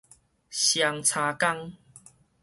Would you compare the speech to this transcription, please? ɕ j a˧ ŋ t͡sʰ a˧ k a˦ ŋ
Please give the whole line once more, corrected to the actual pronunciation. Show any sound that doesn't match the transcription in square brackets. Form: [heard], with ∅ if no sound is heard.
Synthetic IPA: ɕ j a˧ ŋ t͡sʰ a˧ k a˦ ŋ